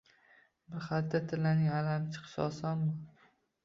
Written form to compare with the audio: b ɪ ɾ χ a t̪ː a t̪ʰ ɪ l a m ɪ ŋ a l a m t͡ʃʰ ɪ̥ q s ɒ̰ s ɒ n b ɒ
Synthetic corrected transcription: b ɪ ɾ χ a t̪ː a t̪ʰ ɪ l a n ɪ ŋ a l a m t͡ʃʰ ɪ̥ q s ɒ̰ s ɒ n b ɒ

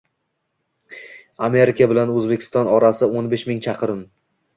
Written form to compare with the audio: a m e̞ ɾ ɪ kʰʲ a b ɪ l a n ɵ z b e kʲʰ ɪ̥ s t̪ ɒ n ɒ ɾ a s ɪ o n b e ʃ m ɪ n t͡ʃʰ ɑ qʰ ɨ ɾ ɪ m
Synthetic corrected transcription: a m e̞ ɾ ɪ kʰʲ a b ɪ l a n ɵ z b e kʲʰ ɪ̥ s t̪ ɒ n ɒ ɾ a s ɪ o n b e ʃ m ɪ ŋ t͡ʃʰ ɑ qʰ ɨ ɾ ɪ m

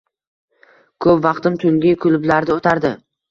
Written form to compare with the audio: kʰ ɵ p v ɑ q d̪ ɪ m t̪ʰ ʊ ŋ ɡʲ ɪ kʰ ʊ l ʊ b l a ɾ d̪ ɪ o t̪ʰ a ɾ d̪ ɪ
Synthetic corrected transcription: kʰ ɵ p v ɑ q t̪ ɪ m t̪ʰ ʊ ŋ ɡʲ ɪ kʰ ʊ l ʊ b l a ɾ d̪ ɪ o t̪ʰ a ɾ d̪ ɪ

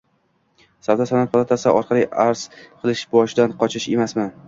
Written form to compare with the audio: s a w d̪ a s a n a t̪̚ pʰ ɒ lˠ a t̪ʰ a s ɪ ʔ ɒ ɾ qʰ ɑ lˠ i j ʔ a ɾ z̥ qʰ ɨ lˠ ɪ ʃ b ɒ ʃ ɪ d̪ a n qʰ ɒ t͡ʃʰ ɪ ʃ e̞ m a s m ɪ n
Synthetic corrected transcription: s a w d̪ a s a n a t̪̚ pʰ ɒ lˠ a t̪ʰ a s ɪ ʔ ɒ ɾ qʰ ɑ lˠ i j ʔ a ɾ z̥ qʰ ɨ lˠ ɪ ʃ b ɒ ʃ ɪ d̪ a n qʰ ɒ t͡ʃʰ ɪ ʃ e̞ m a s m ɪ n

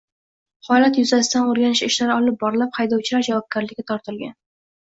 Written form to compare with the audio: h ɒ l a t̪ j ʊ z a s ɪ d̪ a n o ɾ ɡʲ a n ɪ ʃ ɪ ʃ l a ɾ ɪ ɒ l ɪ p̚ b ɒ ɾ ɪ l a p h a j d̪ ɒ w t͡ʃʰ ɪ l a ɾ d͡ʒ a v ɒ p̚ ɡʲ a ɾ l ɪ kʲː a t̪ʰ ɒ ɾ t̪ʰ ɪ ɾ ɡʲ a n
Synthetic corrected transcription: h ɒ l a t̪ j ʊ z a s ɪ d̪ a n o ɾ ɡʲ a n ɪ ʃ ɪ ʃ l a ɾ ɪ ɒ l ɪ p̚ b ɒ ɾ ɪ l a p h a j d̪ ɒ w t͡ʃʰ ɪ l a ɾ d͡ʒ a v ɒ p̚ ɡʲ a ɾ l ɪ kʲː a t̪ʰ ɒ ɾ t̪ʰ ɪ l ɡʲ a n

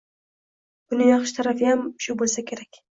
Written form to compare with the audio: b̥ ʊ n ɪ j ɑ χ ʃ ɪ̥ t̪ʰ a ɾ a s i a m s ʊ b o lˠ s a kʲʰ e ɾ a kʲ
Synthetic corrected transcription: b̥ ʊ n ɪ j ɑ χ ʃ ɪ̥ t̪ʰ a ɾ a f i a m ʃ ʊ b o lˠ s a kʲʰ e ɾ a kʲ

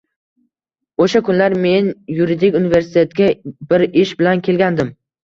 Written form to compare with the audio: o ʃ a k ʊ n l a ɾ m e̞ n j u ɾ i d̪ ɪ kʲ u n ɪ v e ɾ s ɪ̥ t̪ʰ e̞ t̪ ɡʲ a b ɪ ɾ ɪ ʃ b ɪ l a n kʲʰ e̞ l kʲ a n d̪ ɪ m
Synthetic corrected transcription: o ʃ a k ʊ n l a ɾ m e̞ n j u ɾ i d̪ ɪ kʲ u n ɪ v e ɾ s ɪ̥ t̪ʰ e̞ t̪ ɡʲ a b ɪ ɾ ɪ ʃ b ɪ l a n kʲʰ e̞ l ɡʲ a n d̪ ɪ m

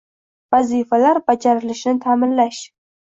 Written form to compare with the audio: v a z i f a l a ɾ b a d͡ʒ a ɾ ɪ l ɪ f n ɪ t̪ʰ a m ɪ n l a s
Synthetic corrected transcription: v a z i f a l a ɾ b a d͡ʒ a ɾ ɪ l ɪ ʃ n ɪ t̪ʰ a m ɪ n l a ʃ

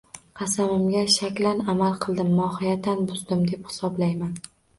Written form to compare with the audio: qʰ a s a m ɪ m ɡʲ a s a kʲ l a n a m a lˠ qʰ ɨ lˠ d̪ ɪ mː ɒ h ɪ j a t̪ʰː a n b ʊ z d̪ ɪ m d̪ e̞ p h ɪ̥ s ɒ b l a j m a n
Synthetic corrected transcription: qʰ ɑ s a m ɪ m ɡʲ a ʃ a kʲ l a n a m a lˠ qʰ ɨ lˠ d̪ ɪ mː ɒ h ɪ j a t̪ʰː a n b ʊ z d̪ ɪ m d̪ e̞ p h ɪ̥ s ɒ b l a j m a n

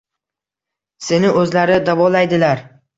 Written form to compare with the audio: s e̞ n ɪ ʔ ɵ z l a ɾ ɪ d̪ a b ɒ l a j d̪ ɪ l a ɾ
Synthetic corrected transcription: s e̞ n ɪ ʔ ɵ z l a ɾ ɪ d̪ a v ɒ l a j d̪ ɪ l a ɾ

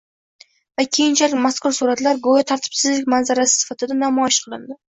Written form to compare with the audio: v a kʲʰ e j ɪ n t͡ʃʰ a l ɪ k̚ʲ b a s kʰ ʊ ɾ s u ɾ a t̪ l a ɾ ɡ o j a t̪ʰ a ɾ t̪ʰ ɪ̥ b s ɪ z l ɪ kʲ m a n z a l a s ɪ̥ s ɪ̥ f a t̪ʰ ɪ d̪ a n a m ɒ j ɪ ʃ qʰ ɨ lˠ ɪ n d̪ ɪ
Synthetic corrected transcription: v a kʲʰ e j ɪ n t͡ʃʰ a l ɪ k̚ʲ m a s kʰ ʊ ɾ s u ɾ a t̪ l a ɾ ɡ o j a t̪ʰ a ɾ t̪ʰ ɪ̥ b s ɪ z l ɪ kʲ m a n z a ɾ a s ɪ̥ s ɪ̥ f a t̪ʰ ɪ d̪ a n a m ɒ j ɪ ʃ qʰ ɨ lˠ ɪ n d̪ ɪ

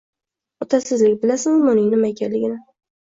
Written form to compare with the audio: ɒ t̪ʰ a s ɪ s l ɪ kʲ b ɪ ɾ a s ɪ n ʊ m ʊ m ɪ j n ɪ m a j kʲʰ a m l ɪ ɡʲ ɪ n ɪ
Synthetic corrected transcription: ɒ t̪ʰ a s ɪ z l ɪ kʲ b ɪ l a s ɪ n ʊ m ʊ n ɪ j n ɪ m a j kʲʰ a n l ɪ ɡʲ ɪ n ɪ

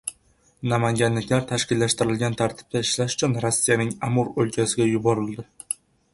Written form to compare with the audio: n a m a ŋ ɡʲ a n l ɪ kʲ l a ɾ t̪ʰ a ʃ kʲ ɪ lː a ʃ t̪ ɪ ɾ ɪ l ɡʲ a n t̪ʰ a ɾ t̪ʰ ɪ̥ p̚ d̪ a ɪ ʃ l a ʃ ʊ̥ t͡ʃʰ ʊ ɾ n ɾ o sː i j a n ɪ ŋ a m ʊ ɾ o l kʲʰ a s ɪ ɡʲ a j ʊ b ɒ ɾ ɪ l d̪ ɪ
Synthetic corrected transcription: n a m a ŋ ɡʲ a n l ɪ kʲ l a ɾ t̪ʰ a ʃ kʲ ɪ lː a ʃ t̪ ɪ ɾ ɪ l ɡʲ a n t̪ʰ a ɾ t̪ʰ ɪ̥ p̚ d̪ a ɪ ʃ l a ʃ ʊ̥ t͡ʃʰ ʊ n ɾ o sː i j a n ɪ ŋ a m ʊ ɾ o l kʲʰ a s ɪ ɡʲ a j ʊ b ɒ ɾ ɪ l d̪ ɪ

